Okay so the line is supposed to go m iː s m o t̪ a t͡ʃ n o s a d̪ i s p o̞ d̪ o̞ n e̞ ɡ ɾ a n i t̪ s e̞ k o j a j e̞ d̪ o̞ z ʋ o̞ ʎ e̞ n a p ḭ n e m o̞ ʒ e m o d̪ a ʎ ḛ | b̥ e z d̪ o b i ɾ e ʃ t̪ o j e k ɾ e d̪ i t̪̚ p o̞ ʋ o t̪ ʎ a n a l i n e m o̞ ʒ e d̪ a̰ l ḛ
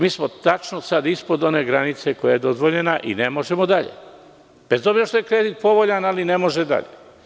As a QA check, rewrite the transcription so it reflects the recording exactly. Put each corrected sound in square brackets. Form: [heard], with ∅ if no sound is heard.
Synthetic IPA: m iː s m o t̪ a t͡ʃ n o s a d̪ i s p o̞ d̪ o̞ n e̞ ɡ ɾ a n i t̪ s e̞ k o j a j e̞ d̪ o̞ z ʋ o̞ ʎ e̞ n a [ʔ] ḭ n e m o̞ ʒ e m o d̪ a ʎ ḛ | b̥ e z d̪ o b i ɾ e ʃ t̪ o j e k ɾ e d̪ i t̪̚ p o̞ ʋ o [∅] ʎ a n a l i n e m o̞ ʒ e d̪ a̰ [ʎ] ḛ

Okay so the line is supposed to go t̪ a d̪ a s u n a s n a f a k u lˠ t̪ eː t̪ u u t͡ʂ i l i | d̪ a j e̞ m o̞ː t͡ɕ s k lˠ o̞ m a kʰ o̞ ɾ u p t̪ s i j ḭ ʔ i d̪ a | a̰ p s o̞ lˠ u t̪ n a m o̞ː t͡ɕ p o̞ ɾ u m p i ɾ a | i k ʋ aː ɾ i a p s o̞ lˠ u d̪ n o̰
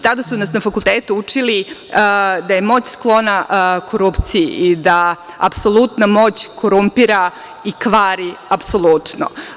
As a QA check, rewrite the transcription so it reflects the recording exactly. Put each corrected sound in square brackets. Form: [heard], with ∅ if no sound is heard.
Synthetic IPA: t̪ a d̪ a s u n a s n a f a k u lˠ t̪ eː t̪ u u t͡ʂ i l i | d̪ a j e̞ m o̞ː t͡ɕ s k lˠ o̞ [n] a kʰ o̞ ɾ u p t̪ s i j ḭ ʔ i d̪ a | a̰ p s o̞ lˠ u t̪ n a m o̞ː t͡ɕ [k] o̞ ɾ u m p i ɾ a | i k ʋ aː ɾ i a p s o̞ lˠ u [t̪] n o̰

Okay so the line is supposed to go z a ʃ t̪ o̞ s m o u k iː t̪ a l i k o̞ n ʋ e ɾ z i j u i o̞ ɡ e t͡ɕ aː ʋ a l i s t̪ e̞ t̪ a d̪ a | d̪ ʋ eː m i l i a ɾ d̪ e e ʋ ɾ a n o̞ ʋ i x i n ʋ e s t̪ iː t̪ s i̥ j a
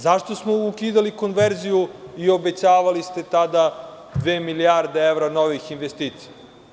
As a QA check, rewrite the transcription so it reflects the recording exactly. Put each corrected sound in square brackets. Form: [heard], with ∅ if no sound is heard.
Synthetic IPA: z a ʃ t̪ o̞ s m o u k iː [d̪] a l i k o̞ n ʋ e ɾ z i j u i o̞ [b] e t͡ɕ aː ʋ a l i s t̪ e̞ t̪ a d̪ a | d̪ ʋ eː m i l i a ɾ d̪ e e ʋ ɾ a n o̞ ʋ i x i n ʋ e s t̪ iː t̪ s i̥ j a

